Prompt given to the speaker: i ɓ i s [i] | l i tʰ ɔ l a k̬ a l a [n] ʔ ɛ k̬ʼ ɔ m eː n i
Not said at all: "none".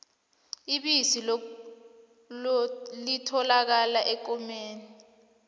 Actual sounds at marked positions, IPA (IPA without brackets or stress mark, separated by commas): i, none